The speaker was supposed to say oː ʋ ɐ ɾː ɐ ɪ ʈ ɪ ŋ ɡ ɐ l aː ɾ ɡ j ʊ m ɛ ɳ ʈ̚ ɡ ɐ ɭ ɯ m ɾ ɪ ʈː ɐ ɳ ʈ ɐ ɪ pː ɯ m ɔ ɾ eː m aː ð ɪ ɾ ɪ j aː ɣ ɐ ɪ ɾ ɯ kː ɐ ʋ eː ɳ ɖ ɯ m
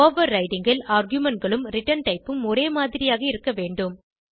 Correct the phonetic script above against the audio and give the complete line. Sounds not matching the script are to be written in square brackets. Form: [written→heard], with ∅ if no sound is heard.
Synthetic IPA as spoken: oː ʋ ɐ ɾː ɐ ɪ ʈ ɪ ŋ ɡ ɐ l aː ɾ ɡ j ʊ m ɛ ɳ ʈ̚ ɡ ɐ ɭ ɯ m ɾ ɪ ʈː ɐ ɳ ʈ ɐ ɪ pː ɯ m ɔ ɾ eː m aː ð ɪ ɾ ɪ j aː ɣ ɐ ɪ ɾ ɯ kː ɐ ʋ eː ɳ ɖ ɯ m